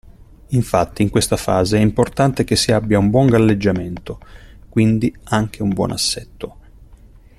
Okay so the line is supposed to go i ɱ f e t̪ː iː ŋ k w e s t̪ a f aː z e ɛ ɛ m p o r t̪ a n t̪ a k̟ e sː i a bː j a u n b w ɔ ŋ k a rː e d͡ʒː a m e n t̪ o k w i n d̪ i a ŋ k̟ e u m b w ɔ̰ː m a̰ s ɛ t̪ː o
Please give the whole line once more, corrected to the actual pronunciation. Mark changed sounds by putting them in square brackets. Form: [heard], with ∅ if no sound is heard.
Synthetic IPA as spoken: i ɱ f [a] t̪ː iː ŋ k w e s t̪ a f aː z e ɛ [i] m p o r t̪ a n t̪ [e] k̟ e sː i a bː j a u [m] b w ɔ ŋ [ɡ] a [lː] e d͡ʒː a m e n t̪ o k w i n d̪ i a ŋ k̟ e u m b w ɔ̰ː [n] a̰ [sː] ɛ t̪ː o